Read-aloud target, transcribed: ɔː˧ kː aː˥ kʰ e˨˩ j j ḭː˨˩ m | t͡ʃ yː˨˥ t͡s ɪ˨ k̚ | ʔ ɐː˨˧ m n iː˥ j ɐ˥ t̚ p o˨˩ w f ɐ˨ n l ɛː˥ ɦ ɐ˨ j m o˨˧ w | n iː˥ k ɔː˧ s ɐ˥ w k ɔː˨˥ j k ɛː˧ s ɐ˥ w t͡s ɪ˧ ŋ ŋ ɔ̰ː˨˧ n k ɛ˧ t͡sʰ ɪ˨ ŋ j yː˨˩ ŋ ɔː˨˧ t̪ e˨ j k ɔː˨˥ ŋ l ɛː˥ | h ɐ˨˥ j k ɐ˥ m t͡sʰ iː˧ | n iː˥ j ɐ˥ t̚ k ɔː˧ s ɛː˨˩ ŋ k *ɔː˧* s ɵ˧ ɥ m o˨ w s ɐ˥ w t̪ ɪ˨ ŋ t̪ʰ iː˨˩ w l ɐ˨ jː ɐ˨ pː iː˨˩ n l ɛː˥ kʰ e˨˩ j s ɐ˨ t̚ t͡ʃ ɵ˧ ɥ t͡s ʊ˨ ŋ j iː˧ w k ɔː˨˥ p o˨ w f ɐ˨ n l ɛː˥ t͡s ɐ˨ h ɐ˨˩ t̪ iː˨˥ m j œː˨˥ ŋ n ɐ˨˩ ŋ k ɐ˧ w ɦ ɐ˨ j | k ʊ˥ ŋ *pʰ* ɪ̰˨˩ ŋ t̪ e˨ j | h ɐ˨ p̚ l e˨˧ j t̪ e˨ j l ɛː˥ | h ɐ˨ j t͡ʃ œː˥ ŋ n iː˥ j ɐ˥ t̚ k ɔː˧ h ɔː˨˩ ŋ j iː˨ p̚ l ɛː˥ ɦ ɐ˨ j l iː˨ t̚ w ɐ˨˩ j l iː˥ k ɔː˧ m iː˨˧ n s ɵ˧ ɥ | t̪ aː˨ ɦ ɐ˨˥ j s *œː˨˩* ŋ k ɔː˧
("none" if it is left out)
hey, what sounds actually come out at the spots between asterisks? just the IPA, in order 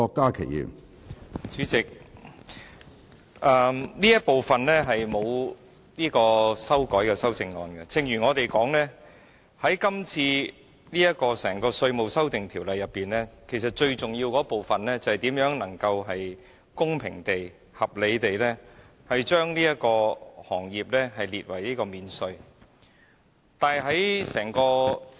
ɔː˧, pʰ, ɛː˨˩

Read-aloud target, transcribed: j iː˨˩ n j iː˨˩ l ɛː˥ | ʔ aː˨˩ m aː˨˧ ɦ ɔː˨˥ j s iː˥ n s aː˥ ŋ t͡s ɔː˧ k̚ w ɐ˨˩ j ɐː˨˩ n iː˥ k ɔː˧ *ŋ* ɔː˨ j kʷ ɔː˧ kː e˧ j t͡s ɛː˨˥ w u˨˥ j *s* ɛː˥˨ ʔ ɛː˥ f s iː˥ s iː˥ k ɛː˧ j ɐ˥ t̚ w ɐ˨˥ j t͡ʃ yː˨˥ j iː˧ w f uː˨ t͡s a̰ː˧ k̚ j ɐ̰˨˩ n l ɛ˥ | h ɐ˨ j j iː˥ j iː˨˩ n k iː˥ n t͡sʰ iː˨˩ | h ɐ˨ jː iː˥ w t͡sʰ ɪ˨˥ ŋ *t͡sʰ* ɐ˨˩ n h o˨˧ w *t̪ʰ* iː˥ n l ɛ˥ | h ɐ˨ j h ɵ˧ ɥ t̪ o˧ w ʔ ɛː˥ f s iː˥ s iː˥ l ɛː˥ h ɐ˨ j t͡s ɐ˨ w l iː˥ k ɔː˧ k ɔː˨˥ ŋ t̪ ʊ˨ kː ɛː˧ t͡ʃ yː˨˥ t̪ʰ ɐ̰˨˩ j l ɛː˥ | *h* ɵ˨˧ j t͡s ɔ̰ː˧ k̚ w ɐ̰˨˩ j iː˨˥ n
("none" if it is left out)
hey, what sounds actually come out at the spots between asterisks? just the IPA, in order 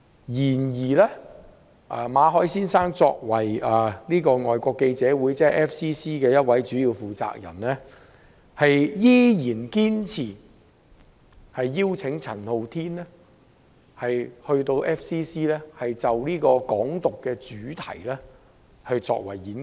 ŋ, t͡s, t͡sʰ, t̪ʰ, h

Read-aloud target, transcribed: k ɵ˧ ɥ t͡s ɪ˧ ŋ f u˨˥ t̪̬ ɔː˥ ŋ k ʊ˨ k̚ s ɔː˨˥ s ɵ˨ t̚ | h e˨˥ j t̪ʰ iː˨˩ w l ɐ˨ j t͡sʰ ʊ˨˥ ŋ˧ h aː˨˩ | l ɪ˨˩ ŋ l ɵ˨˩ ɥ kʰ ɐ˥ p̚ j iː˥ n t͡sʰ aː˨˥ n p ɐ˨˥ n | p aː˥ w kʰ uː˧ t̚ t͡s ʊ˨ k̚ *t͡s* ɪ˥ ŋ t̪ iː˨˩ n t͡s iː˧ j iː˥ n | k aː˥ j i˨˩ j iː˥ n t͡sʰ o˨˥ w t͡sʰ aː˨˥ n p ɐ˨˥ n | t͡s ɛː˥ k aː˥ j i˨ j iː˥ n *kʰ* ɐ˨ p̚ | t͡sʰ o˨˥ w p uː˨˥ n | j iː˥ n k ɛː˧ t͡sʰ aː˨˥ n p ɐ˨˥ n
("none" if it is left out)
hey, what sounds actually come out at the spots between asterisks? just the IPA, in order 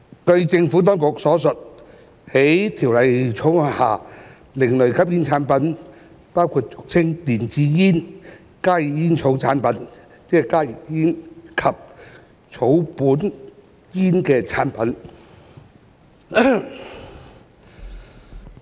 t͡sʰ, kʰ

